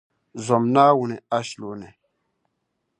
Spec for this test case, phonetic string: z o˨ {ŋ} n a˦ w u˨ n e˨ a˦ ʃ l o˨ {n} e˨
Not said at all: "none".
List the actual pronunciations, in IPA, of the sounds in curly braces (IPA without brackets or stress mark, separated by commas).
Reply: m, n